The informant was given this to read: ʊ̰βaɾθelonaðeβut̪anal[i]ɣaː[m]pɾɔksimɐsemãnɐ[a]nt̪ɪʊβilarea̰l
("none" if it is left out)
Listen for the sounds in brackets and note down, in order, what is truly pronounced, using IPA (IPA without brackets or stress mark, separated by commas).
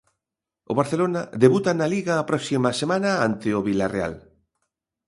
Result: i, none, a